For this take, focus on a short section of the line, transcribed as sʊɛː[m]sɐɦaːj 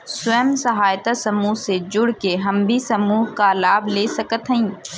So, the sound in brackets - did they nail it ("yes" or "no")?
yes